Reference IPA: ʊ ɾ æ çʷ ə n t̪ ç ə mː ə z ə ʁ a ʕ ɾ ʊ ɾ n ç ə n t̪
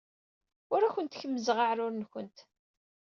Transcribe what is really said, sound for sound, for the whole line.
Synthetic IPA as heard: ʊ ɾ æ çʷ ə n t̪ ç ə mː ə z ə ʁ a ʕ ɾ ʊ ɾ n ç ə n t̪